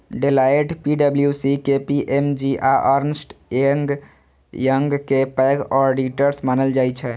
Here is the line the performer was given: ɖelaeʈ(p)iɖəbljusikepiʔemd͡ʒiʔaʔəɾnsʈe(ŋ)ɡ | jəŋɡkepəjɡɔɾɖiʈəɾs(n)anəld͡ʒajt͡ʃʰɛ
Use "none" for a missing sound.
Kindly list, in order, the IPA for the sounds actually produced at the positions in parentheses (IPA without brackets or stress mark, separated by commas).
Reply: p, ŋ, m